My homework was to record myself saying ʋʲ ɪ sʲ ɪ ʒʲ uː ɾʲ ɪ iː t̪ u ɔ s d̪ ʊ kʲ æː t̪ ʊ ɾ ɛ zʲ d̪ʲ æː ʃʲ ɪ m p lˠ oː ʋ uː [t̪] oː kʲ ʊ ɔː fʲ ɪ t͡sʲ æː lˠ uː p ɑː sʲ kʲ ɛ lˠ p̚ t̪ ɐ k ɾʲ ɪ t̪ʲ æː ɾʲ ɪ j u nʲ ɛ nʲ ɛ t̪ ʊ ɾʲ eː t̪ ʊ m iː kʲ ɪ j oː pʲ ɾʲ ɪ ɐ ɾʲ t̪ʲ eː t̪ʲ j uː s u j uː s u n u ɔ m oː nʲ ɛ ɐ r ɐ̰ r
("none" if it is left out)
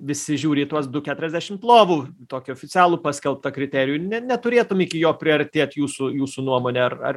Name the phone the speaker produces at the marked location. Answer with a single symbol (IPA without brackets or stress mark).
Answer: t̪